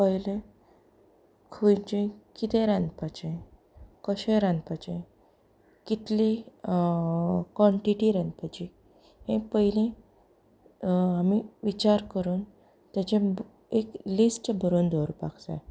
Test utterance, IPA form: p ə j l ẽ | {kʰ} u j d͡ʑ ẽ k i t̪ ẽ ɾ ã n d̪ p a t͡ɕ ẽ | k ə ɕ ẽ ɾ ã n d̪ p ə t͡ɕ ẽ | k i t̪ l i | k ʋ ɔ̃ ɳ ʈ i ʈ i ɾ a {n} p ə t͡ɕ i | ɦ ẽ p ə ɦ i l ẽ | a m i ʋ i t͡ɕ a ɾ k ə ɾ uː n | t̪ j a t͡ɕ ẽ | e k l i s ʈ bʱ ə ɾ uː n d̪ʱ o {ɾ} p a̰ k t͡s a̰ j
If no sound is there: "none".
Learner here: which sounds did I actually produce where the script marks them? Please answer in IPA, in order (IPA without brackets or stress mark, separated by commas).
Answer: kʰ, n, ɾ